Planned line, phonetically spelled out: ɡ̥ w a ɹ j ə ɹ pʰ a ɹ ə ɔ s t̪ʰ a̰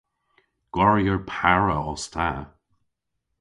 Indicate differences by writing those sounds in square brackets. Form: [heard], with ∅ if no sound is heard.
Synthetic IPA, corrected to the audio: ɡ̥ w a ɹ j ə ɹ pʰ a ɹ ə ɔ s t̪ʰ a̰